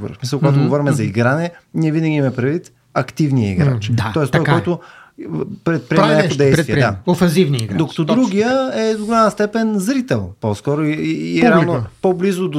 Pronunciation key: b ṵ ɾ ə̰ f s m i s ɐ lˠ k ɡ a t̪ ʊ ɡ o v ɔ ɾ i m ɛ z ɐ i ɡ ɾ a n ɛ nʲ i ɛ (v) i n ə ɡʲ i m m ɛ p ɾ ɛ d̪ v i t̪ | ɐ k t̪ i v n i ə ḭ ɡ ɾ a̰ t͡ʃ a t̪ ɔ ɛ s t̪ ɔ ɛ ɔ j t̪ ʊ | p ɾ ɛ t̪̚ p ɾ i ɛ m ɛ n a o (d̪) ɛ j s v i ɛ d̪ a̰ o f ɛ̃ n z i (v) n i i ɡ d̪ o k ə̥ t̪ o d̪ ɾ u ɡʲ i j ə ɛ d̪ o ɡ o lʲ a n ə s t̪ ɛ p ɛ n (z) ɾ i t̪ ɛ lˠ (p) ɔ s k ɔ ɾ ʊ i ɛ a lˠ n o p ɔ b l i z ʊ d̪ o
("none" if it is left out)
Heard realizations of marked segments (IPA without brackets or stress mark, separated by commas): v, d̪, v, z, p